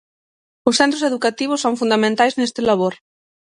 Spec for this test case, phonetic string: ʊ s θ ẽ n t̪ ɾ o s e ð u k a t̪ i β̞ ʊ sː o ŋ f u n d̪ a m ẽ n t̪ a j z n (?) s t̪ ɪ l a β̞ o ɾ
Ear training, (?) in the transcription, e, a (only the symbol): e